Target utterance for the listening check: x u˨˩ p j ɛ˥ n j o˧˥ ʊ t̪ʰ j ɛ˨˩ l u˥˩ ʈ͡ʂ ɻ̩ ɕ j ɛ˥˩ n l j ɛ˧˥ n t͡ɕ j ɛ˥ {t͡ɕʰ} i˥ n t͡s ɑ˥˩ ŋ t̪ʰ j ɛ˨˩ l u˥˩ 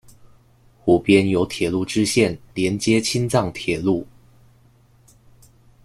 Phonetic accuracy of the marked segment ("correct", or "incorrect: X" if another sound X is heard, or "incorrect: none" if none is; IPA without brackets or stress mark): correct